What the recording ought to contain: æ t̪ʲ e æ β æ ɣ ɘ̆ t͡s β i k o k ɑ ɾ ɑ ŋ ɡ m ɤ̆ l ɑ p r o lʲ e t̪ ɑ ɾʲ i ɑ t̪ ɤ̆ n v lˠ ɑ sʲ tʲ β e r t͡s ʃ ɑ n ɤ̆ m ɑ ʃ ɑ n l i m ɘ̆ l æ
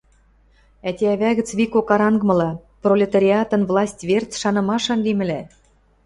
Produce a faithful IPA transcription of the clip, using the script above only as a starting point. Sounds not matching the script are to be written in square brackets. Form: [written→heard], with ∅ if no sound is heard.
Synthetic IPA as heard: æ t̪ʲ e æ β æ ɣ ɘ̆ t͡s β i k o k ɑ ɾ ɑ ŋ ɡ m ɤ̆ l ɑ p r o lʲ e t̪ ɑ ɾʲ i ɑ t̪ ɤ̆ n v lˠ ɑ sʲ tʲ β e r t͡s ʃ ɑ n ɤ̆ m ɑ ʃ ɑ n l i m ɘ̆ l æ